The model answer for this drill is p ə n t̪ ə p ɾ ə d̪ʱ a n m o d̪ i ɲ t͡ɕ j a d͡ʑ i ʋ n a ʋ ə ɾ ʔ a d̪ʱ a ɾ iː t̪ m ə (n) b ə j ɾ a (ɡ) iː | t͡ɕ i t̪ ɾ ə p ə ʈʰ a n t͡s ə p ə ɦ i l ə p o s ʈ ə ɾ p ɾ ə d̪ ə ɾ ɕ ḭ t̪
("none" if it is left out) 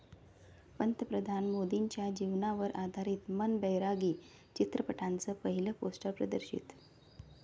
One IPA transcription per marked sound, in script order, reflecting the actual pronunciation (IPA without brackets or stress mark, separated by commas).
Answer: n, ɡ